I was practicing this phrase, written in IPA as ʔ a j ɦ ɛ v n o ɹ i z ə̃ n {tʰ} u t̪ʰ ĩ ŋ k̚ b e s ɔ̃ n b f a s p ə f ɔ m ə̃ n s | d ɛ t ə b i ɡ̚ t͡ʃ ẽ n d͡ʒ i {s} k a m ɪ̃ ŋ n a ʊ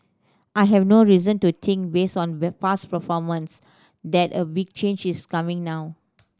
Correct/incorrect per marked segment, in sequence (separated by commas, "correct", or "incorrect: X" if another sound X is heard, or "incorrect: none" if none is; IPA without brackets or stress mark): incorrect: t, correct